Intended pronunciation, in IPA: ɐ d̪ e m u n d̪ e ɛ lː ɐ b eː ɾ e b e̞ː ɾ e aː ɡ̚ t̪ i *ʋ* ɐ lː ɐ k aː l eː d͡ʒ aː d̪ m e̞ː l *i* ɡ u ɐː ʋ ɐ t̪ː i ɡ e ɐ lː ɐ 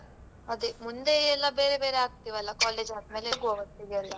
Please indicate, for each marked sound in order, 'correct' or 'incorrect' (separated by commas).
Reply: correct, incorrect